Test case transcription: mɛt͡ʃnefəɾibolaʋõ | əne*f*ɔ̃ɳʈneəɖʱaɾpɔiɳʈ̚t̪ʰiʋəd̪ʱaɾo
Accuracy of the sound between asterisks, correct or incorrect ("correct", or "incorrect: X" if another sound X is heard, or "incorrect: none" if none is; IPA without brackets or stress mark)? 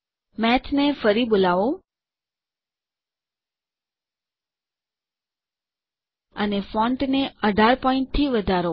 correct